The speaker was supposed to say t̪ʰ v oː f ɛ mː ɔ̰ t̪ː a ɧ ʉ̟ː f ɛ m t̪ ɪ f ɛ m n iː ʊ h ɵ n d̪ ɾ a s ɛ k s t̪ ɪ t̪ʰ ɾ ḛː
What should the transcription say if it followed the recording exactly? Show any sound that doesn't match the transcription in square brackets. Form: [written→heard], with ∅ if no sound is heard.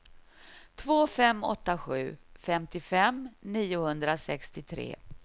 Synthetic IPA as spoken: t̪ʰ v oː f ɛ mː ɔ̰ t̪ː a ɧ ʉ̟ː f ɛ m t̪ ɪ f ɛ m n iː ʊ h ɵ n d̪ ɾ a s ɛ k s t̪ ɪ t̪ʰ ɾ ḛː